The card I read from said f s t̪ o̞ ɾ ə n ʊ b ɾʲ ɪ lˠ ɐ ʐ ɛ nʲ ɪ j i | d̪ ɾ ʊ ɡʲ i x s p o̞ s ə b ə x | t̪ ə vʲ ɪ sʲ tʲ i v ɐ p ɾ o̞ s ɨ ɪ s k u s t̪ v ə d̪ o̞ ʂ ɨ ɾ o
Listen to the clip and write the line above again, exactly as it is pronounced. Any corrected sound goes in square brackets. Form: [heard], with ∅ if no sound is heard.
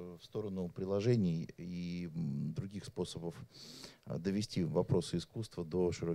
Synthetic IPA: f s t̪ o̞ ɾ ə n ʊ [p] ɾʲ ɪ lˠ ɐ ʐ ɛ nʲ ɪ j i | d̪ ɾ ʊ ɡʲ i x s p o̞ s ə b ə [f] | [d̪] ə vʲ ɪ sʲ tʲ i v ɐ p ɾ o̞ s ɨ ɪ s k u s t̪ v ə d̪ o̞ ʂ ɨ ɾ o